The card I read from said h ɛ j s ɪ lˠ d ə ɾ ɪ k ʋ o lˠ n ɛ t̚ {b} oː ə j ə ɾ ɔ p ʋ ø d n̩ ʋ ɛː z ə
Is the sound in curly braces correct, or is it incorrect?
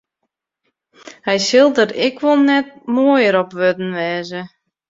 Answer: incorrect